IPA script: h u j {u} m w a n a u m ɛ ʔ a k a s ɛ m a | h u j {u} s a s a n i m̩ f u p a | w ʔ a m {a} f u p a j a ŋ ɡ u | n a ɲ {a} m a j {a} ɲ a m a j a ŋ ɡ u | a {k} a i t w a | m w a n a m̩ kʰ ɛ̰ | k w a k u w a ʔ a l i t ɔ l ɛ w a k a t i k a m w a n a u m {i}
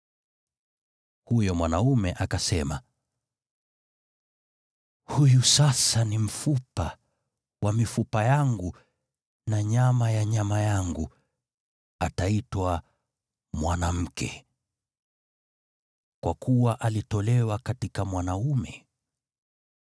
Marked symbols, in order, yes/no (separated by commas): no, yes, no, yes, yes, no, no